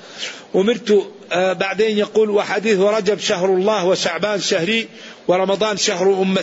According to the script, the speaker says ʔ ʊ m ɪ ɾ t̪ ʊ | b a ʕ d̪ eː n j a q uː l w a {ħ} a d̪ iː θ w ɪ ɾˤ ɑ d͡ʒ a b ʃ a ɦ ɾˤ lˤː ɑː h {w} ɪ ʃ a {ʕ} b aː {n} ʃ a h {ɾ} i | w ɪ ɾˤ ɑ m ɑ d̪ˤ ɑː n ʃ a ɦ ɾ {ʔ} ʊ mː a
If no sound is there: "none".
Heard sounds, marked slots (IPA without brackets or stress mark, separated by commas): ħ, w, ʕ, n, ɾ, ʔ